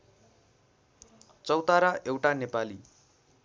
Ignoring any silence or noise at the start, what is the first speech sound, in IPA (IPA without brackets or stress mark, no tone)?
t͡s